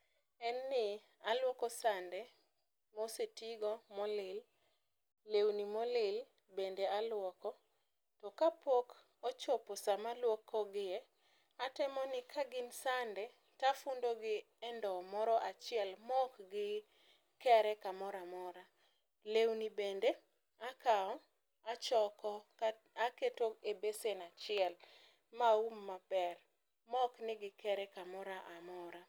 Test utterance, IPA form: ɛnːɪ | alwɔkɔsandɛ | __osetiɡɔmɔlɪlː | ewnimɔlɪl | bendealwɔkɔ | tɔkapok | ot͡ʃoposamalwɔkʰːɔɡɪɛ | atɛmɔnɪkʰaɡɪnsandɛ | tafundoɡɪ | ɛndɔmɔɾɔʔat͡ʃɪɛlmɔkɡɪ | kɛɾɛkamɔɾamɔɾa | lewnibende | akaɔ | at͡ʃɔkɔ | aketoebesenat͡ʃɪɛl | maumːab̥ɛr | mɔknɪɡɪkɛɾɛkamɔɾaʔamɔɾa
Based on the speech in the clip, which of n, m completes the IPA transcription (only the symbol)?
m